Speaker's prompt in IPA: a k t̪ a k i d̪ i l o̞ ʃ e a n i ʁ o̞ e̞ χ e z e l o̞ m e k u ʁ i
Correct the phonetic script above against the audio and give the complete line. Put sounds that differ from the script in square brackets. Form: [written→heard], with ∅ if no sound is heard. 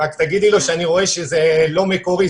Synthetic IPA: a k t̪ a [k→ɡ] i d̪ i l o̞ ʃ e a n i ʁ o̞ e̞ [χ→ʃ] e z e l o̞ m e k [u→o] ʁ i